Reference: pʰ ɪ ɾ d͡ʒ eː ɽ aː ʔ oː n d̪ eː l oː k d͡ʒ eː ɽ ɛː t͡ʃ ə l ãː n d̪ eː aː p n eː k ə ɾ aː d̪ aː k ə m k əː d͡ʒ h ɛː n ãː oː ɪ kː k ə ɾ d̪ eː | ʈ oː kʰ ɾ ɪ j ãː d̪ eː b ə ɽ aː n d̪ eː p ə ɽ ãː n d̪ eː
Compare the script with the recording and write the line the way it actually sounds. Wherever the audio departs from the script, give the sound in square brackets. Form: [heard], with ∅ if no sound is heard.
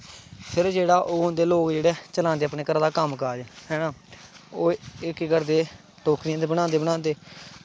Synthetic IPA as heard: pʰ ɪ ɾ d͡ʒ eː ɽ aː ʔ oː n d̪ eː l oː k d͡ʒ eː ɽ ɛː t͡ʃ ə l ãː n d̪ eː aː p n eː k ə ɾ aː d̪ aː k ə m k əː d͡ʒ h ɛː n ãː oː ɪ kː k ə ɾ d̪ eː | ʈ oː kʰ ɾ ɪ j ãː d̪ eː b ə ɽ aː n d̪ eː [b] ə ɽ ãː n d̪ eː